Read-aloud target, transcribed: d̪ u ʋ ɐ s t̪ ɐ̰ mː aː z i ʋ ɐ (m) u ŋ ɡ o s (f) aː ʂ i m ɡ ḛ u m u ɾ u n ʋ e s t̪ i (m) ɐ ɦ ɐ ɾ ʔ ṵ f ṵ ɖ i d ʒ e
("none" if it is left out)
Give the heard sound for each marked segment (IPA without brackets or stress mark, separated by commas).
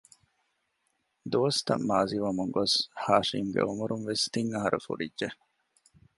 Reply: m, h, ŋ